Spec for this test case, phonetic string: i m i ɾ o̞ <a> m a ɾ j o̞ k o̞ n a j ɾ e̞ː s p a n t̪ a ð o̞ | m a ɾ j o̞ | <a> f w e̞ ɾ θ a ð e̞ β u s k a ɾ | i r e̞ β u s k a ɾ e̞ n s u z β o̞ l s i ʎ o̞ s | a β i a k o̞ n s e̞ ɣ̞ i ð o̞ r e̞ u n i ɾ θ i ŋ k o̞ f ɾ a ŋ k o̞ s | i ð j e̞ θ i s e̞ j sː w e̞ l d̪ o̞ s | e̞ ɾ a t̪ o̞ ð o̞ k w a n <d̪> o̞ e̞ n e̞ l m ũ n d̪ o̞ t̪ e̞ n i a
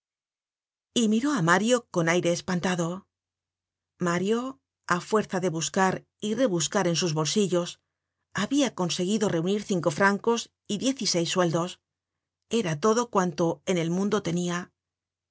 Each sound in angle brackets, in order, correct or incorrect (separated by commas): correct, correct, incorrect